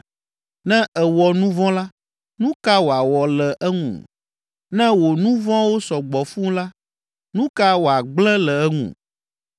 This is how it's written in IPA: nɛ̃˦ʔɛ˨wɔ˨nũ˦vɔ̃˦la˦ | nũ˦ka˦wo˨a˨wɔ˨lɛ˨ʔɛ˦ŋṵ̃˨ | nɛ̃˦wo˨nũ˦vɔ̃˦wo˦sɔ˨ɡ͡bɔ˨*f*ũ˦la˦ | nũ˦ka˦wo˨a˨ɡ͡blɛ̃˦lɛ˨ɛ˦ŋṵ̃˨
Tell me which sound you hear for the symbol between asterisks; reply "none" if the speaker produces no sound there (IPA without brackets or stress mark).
f